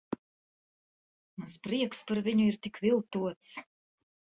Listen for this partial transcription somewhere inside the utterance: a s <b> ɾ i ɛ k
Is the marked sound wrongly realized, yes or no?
yes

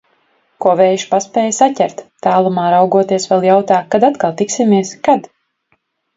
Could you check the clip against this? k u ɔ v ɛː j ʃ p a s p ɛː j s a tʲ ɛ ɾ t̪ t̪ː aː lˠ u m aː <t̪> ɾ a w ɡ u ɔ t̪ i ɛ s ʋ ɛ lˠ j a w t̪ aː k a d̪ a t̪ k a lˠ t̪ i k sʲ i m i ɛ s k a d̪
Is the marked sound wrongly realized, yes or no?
yes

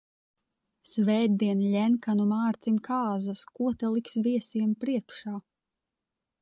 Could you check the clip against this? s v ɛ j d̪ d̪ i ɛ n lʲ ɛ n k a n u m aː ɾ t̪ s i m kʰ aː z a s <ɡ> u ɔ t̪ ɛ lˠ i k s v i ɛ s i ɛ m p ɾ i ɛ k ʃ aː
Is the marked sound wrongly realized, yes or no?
yes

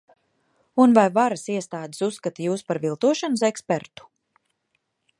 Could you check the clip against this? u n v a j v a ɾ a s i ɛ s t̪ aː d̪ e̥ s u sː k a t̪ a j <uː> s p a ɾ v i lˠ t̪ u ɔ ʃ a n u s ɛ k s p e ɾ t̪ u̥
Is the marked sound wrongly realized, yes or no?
no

